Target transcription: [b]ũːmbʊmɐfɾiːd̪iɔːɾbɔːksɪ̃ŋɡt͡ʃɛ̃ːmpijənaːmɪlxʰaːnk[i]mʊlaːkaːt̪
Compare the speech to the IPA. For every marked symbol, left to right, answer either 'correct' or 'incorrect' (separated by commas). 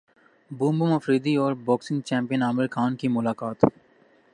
correct, correct